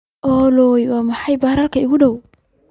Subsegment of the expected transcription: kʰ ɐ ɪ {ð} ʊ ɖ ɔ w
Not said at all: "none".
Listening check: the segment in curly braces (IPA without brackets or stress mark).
ɣ